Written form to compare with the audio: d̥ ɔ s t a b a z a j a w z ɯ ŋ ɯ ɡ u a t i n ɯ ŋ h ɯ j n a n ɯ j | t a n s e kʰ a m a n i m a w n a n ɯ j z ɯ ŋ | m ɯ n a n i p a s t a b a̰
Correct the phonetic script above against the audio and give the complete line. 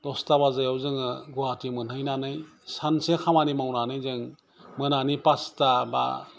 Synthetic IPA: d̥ ɔ s t a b a z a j a w z ɯ ŋ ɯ ɡ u a t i m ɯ n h ɯ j n a n ɯ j | s a n s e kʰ a m a n i m a w n a n ɯ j z ɯ ŋ | m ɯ n a n i p a s t a b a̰